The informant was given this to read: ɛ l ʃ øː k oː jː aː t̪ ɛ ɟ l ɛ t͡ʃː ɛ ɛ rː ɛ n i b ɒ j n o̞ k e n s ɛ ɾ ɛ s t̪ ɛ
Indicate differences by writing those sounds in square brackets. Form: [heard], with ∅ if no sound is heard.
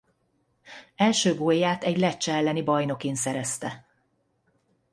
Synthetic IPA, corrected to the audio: ɛ l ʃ øː [ɡ] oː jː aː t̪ ɛ ɟ l ɛ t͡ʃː ɛ ɛ [lː] ɛ n i b ɒ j n o̞ k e n s ɛ ɾ ɛ s t̪ ɛ